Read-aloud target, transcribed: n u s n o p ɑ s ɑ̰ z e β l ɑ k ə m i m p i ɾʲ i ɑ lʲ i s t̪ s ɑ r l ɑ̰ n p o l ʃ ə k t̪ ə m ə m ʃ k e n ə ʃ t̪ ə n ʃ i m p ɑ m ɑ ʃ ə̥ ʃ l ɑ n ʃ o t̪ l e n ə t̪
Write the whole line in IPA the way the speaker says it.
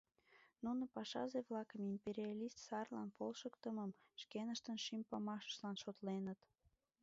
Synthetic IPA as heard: n u n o p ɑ ʃ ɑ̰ z e β l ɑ k ə m i m p e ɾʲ i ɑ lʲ i s t̪ s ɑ r l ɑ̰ n p o l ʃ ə k t̪ ə m ə m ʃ k e n ə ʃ t̪ ə n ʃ i m p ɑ m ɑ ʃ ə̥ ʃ l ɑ n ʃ o t̪ l e n ə t̪